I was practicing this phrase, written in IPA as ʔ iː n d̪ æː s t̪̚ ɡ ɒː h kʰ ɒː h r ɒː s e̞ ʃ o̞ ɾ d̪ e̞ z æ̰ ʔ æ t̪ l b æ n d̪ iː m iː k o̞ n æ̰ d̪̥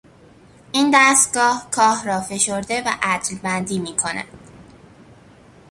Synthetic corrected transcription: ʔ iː n d̪ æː s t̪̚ ɡ ɒː h kʰ ɒː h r ɒː f e̞ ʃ o̞ ɾ d̪ e̞ v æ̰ ʔ æ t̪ l b æ n d̪ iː m iː kʰ o̞ n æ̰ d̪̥